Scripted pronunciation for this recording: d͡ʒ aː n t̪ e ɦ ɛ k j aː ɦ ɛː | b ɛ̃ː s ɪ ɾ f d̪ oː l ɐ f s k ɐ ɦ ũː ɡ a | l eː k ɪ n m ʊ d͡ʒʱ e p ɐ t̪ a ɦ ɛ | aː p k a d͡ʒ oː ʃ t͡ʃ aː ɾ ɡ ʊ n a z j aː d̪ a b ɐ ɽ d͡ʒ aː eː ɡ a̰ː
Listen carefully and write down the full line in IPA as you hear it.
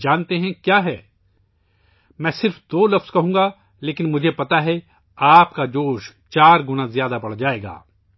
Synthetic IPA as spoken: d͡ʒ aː n t̪ e ɦ ɛ̃ k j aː ɦ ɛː | m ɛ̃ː s ɪ ɾ f d̪ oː l ɐ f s k ɐ ɦ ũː ɡ a | l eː k ɪ n m ʊ d͡ʒʱ e p ɐ t̪ a ɦ ɛ | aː p k a d͡ʒ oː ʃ t͡ʃ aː ɾ ɡ ʊ n a z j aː d̪ a b ɐ ɽ d͡ʒ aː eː ɡ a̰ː